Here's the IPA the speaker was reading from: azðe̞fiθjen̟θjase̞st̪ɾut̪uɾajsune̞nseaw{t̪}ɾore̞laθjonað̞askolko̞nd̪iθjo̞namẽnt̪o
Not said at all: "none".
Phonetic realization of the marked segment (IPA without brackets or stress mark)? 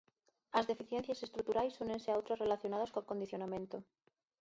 t̪